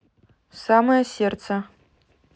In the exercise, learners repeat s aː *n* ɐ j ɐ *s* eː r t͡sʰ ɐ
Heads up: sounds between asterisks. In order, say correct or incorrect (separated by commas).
incorrect, correct